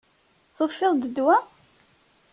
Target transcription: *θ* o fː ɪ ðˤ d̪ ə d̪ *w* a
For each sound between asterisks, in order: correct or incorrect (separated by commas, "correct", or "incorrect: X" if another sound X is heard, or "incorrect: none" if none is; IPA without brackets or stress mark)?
correct, correct